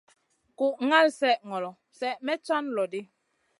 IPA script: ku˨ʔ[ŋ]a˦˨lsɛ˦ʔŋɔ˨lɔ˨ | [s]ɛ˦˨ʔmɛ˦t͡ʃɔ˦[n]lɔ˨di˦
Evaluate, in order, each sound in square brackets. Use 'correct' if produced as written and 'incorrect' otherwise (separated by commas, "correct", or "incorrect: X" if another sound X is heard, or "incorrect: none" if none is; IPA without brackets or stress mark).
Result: correct, correct, correct